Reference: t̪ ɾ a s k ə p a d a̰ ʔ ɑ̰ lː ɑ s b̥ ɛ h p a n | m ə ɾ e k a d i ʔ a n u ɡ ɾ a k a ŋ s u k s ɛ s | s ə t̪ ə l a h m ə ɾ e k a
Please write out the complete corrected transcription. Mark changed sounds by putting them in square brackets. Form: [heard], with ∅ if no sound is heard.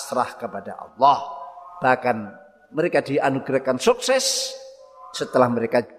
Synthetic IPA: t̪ ɾ a [h] k ə p a d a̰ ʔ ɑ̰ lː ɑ [h] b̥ [a] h [k] a n | m ə ɾ e k a d i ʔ a n u ɡ ɾ a k a [n] s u k s ɛ s | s ə t̪ ə l a h m ə ɾ e k a